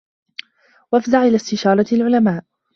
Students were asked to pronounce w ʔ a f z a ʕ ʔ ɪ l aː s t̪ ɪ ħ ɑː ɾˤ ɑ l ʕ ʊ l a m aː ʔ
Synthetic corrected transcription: w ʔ a f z a ʕ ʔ ɪ l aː s t̪ ɪ ʃ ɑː ɾˤ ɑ l ʕ ʊ l a m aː ʔ